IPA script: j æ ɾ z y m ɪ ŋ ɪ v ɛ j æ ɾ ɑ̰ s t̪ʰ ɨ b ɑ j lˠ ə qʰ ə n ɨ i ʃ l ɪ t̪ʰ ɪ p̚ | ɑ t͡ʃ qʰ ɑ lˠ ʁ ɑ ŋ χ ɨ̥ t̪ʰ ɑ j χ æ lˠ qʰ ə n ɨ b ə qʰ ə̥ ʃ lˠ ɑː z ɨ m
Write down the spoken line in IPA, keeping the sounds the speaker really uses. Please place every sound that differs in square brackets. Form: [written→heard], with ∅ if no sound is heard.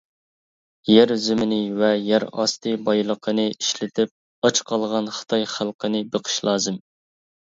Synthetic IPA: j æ ɾ z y m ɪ [ŋ→n] ɪ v ɛ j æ ɾ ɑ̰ s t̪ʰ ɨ b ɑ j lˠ ə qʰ ə n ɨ i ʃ l ɪ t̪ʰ ɪ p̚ | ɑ t͡ʃ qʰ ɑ lˠ ʁ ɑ [ŋ→n] χ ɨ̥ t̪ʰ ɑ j χ æ lˠ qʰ ə n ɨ b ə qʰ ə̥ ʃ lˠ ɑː z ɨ m